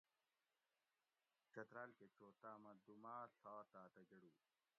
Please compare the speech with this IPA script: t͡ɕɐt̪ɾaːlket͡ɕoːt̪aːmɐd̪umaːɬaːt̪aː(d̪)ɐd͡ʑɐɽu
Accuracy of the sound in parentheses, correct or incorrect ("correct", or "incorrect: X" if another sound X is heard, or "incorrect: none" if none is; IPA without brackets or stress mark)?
incorrect: t̪